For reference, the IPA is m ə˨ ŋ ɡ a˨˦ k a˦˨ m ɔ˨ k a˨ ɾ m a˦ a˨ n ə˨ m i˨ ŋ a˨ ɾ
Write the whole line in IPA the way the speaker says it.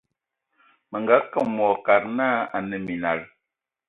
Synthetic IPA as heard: m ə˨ ŋ ɡ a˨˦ k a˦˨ m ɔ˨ k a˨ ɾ n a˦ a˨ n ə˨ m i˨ n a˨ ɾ

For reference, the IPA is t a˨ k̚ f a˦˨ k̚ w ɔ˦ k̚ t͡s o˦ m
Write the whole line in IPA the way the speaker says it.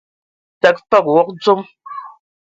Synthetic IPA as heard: t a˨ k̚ f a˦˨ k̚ w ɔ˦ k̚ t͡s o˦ m

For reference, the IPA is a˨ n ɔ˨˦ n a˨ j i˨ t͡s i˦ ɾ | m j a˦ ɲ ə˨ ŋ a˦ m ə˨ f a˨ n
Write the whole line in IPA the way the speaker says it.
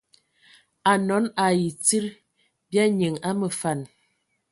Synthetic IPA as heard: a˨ n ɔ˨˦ n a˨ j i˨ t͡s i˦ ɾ | b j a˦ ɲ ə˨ ŋ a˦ m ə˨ f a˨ n

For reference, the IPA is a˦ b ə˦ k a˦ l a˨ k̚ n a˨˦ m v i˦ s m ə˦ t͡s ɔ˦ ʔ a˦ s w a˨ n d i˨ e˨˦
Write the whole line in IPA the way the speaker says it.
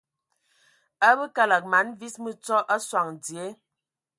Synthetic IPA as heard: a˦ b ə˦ k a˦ l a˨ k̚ m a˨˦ n v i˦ s m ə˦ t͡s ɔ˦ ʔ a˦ s w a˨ ŋ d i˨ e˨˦

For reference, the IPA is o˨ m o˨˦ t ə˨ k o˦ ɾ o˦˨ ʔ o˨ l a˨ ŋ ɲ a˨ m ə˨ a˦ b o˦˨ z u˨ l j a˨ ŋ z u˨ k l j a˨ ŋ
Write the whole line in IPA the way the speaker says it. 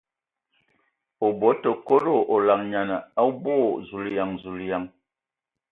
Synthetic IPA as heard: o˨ b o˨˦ t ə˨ k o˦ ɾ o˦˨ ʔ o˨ l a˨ ŋ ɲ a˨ n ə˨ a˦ b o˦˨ z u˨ l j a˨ ŋ z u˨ l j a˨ ŋ

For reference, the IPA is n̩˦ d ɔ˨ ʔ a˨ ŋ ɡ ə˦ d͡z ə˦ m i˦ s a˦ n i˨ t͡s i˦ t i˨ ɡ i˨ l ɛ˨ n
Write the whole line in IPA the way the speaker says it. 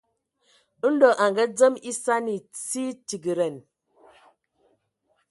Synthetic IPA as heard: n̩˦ d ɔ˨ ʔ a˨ ŋ ɡ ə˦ d͡z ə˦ m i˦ s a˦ n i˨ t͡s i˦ t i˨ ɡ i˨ ɾ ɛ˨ n

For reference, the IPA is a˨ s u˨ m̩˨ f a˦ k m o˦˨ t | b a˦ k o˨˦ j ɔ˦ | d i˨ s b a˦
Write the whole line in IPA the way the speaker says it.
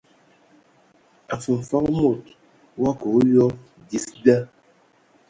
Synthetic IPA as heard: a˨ f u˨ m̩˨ f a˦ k m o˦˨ t | w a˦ k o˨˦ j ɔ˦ | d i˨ s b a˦

